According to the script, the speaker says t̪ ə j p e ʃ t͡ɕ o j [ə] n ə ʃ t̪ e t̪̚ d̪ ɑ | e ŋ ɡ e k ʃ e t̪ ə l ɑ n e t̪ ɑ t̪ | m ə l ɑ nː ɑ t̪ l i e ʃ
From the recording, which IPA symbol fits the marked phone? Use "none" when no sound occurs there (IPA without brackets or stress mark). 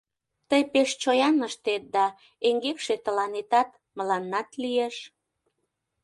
ɑ